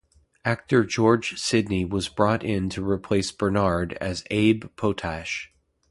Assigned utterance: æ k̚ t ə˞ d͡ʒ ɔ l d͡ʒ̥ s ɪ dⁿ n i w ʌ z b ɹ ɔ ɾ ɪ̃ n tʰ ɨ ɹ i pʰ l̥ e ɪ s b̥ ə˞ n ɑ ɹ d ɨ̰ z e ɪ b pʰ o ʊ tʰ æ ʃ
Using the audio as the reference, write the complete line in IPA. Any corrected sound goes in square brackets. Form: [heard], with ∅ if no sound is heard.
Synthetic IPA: æ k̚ t ə˞ d͡ʒ ɔ [ɹ] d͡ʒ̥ s ɪ dⁿ n i w ʌ z b ɹ ɔ ɾ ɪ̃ n tʰ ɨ ɹ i pʰ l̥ e ɪ s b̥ ə˞ n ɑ ɹ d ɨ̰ z e ɪ b pʰ o ʊ tʰ æ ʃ